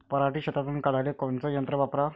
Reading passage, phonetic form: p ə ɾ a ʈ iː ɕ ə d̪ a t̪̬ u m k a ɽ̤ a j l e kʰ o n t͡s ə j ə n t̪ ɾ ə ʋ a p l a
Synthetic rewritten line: p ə ɾ a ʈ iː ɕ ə t̪ a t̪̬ u n k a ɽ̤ a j l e k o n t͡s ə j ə n t̪ ɾ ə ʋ a p ɾ a

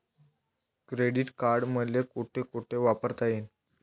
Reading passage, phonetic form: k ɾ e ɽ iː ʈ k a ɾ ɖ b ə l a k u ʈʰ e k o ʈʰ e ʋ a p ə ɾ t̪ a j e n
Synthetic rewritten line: k ɾ e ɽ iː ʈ k a ɾ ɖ m ə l e k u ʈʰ e k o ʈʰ e ʋ a p ə ɾ t̪ a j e n

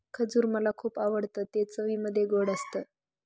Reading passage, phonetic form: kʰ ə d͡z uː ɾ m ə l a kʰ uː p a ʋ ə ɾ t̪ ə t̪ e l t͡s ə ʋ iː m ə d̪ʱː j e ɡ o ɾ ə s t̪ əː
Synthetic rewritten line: kʰ ə d͡z uː ɾ m ə l a kʰ uː p a ʋ ə ɽ t̪ ə t̪ e t͡s ə ʋ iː m ə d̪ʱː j e ɡ o ɽ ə s t̪ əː

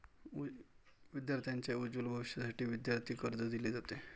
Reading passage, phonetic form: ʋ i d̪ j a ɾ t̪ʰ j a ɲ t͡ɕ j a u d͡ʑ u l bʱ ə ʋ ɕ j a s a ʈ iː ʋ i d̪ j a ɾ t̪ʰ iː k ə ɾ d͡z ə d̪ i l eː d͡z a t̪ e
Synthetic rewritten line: ʋ i d̪ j a ɾ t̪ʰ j a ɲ t͡ɕ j a u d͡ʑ u l bʱ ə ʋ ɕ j a s a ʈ iː ʋ i d̪ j a ɾ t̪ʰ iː k ə ɾ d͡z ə d̪ i l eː d͡z a t̪ e

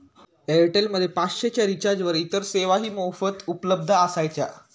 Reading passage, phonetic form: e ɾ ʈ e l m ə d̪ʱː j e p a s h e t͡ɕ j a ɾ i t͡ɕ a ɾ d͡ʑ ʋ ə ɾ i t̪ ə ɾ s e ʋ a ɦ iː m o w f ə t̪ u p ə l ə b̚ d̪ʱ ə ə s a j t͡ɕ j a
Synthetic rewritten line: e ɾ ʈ e l m ə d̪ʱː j e p a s ɕ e t͡ɕ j a ɾ i t͡ɕ a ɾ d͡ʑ ʋ ə ɾ i t̪ ə ɾ s e ʋ a ɦ iː m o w f ə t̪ u p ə l ə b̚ d̪ʱ ə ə s a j t͡ɕ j a

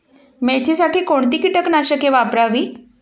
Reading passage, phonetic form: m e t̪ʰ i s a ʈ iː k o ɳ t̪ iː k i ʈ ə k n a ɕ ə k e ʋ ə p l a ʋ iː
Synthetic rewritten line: m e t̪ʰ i s a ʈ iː k o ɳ t̪ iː k i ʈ ə k n a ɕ ə k e ʋ a p ɾ a ʋ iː

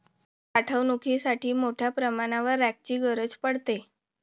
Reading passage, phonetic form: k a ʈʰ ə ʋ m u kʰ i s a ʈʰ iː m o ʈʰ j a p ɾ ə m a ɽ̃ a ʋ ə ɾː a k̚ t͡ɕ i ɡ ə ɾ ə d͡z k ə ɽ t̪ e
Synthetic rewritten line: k a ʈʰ ə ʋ n u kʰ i s a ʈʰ iː m o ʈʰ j a p ɾ ə m a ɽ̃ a ʋ ə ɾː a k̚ t͡ɕ iː ɡ ə ɾ ə d͡z p ə ɽ t̪ e

